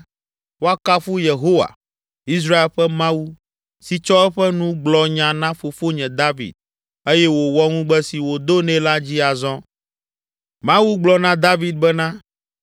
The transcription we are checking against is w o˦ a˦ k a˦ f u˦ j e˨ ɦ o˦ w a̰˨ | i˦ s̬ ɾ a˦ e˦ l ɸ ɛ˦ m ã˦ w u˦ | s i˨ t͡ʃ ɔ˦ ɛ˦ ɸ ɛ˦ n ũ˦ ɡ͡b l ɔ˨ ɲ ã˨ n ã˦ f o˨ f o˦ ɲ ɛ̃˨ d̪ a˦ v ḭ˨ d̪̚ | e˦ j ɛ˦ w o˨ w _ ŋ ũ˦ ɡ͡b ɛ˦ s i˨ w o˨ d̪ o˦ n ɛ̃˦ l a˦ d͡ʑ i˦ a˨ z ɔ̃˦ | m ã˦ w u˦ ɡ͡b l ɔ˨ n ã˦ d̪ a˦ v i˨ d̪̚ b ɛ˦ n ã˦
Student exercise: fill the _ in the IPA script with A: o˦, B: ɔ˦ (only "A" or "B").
B